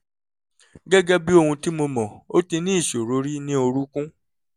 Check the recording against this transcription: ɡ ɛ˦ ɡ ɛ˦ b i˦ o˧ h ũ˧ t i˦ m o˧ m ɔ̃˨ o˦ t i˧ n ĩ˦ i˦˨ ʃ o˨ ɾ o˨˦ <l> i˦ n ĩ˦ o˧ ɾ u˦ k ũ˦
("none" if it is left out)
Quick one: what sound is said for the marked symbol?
ɾ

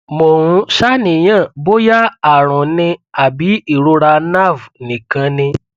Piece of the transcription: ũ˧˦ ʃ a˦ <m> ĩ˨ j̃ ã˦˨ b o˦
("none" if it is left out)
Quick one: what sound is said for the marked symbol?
n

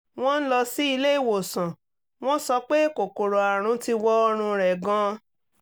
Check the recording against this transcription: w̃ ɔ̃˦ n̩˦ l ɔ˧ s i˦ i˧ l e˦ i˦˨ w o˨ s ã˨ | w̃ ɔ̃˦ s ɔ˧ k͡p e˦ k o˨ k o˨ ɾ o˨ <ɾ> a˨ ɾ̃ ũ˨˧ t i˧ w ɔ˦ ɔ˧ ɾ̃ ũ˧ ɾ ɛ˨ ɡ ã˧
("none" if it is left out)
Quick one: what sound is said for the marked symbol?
none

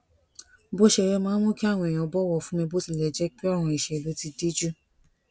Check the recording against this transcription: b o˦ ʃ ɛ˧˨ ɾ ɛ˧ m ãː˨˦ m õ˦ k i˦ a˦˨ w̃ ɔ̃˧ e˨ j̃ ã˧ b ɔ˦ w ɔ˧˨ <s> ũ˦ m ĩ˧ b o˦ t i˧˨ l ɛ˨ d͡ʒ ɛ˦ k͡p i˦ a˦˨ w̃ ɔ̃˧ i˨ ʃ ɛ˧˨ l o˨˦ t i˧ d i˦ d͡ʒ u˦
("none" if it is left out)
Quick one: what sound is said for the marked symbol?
f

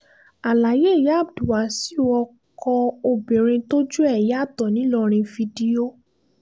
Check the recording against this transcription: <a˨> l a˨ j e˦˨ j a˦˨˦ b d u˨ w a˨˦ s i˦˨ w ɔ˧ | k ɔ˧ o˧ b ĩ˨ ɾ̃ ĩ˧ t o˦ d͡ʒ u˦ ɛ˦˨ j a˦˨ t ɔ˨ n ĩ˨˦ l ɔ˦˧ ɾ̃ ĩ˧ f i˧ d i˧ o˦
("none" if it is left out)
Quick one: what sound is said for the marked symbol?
a˨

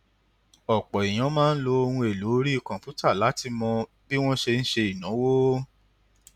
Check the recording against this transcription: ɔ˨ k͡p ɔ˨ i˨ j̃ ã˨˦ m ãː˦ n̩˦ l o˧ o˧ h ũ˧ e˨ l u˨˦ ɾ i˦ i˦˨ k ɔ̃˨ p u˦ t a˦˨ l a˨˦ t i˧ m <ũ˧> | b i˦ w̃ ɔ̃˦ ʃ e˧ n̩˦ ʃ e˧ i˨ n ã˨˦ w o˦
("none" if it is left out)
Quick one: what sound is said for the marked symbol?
ɔ̃˧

